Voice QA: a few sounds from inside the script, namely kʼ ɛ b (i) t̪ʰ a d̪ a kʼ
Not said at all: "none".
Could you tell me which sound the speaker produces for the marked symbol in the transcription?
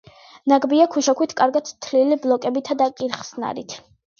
i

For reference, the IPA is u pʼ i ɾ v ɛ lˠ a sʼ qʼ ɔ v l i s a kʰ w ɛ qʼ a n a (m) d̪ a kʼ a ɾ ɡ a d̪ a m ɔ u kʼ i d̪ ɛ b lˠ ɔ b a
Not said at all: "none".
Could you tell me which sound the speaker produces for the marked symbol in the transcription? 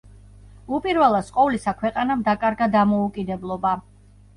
m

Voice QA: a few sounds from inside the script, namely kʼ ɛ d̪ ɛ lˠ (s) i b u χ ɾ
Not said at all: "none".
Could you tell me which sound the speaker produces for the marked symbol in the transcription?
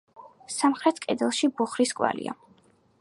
ʃ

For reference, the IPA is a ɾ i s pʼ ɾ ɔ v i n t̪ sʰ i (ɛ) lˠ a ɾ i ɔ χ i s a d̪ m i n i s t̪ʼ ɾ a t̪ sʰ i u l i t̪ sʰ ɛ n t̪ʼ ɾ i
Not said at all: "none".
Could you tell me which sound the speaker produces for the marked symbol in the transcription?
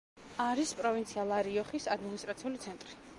a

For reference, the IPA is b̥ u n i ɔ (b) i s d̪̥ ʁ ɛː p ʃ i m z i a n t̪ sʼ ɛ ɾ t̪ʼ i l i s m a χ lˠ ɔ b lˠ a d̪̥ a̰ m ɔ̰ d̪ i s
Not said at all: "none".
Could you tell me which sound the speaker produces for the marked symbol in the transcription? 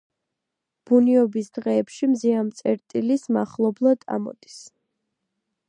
b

